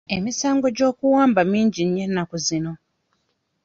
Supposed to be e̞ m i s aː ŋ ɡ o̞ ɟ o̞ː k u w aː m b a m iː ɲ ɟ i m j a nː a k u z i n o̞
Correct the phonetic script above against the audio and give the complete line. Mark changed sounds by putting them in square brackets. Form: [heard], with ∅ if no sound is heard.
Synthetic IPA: e̞ m i s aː ŋ ɡ o̞ ɟ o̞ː k u w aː m b a m iː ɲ ɟ i [ɲ] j [e] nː a k u z i n o̞